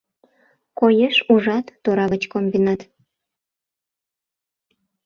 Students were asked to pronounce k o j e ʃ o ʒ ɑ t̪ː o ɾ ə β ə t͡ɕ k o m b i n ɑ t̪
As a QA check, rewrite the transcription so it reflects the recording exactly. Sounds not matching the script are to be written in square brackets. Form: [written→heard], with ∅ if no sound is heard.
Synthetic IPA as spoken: k o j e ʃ [o→u] ʒ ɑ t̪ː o ɾ [ə→ɑ] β ə t͡ɕ k o m b i n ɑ t̪